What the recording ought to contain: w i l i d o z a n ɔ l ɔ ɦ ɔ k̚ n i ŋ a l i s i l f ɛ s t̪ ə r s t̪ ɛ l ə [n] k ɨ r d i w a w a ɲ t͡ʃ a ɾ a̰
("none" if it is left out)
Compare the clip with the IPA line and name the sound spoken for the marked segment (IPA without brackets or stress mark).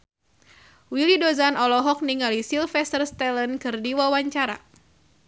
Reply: n